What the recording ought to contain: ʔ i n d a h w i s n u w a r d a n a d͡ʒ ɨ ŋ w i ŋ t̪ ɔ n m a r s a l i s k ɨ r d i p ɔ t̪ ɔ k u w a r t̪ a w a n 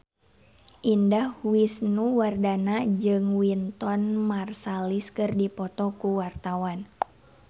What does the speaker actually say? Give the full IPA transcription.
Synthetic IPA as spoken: ʔ i n d a h w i s n u w a r d a n a d͡ʒ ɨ ŋ w i n t̪ ɔ n m a r s a l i s k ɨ r d i p ɔ t̪ ɔ k u w a r t̪ a w a n